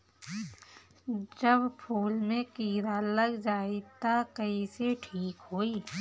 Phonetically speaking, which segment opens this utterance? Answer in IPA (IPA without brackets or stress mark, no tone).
d͡ʒ